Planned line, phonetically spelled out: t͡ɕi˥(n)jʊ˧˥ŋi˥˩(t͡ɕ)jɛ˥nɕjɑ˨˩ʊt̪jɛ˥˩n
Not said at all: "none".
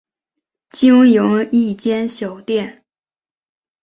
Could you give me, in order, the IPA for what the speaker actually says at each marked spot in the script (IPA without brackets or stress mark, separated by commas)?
ŋ, t͡ɕ